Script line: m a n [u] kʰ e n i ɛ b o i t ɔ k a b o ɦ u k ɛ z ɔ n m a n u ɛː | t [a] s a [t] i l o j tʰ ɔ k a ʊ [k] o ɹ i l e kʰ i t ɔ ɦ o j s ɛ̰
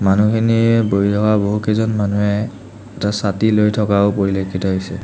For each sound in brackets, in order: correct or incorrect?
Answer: correct, correct, correct, incorrect

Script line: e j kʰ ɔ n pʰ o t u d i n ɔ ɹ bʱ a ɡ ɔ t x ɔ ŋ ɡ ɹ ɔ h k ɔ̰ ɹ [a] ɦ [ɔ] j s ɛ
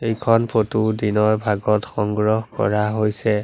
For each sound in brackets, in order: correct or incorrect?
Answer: correct, incorrect

